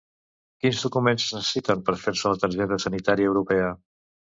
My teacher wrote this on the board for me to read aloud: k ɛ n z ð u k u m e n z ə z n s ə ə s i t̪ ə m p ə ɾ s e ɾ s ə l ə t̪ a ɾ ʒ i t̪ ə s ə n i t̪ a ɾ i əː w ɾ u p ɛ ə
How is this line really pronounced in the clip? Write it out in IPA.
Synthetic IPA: k i n z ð u k u m e n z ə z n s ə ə s i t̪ ə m p ə ɾ f e ɾ s ə l ə t̪ ə ɾ ʒ ɛ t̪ ə s ə n i t̪ a ɾ i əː w ɾ u p ɛ ə